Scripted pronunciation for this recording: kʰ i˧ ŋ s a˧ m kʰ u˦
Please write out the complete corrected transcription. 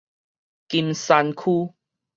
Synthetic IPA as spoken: k i˧ m s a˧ n kʰ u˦

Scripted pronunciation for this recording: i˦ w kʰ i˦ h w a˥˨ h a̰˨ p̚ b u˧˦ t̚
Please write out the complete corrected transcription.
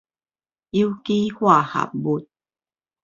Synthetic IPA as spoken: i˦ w k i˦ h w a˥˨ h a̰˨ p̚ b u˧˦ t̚

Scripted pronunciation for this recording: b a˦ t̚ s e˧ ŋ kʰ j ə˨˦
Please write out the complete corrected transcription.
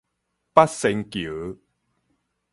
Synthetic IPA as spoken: p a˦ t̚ s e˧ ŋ k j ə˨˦

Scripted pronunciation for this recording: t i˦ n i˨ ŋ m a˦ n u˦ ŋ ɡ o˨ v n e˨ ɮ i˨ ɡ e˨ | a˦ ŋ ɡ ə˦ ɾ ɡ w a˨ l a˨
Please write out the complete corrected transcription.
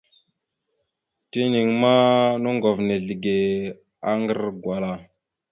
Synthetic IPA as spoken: t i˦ n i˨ ŋ m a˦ n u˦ ŋ ɡ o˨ v n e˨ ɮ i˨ ɡ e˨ | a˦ ŋ ɡ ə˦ ɾ ɡ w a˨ l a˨

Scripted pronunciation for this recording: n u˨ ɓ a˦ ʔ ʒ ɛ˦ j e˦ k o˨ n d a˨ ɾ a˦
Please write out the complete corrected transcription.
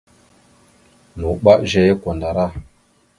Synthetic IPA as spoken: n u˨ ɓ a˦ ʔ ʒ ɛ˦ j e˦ k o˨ n d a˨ ɾ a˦

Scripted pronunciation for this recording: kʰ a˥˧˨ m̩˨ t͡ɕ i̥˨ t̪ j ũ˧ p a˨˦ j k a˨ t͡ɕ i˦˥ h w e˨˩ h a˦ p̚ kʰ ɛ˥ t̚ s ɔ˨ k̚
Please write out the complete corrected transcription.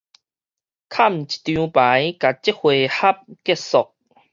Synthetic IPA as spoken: kʰ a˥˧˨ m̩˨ t͡ɕ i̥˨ t̪ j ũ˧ p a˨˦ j k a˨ t͡ɕ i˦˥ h w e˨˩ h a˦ p̚ k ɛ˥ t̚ s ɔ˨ k̚

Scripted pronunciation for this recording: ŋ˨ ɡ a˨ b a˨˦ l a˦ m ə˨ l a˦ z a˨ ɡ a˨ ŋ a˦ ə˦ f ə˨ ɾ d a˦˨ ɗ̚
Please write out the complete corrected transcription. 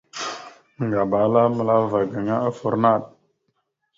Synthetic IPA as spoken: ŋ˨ ɡ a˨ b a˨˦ l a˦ m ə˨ l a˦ v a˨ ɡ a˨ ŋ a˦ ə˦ f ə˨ ɾ n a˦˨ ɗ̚

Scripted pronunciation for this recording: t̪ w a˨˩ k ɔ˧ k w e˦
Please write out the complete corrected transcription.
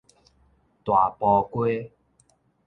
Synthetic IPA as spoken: t̪ w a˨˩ p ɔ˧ k w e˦

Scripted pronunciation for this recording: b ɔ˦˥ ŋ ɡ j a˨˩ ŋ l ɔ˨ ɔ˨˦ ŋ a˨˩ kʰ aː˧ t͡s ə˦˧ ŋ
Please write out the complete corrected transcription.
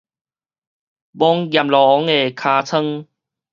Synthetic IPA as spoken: b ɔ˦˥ ŋ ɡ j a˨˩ m l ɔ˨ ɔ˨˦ ŋ e˨˩ kʰ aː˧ t͡sʰ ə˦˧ ŋ

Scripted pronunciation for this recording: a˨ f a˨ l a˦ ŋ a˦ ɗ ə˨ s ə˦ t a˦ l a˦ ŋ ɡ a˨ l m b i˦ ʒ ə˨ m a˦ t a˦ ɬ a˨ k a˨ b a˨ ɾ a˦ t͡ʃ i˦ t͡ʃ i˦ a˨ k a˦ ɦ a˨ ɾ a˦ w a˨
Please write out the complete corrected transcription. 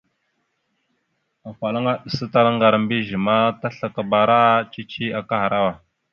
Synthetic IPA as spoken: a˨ f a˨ l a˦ ŋ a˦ ɗ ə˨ s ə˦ t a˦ l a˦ ŋ ɡ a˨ ɾ m b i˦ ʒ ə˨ m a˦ t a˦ ɬ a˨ k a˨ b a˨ ɾ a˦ t͡ʃ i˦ t͡ʃ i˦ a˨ k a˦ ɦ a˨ ɾ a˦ w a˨

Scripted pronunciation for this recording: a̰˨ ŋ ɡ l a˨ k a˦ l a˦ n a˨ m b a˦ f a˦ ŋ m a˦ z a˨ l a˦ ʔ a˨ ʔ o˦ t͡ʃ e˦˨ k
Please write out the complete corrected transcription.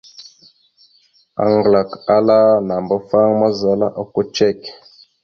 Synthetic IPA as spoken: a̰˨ ŋ ɡ l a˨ k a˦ l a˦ n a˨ m b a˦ f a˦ ŋ m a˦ z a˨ l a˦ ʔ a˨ k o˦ t͡ʃ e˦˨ k

